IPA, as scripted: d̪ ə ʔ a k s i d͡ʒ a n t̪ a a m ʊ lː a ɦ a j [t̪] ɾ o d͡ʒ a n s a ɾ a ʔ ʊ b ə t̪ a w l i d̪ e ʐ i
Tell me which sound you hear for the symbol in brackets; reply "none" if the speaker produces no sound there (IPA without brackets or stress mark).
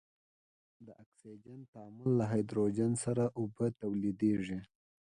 d̪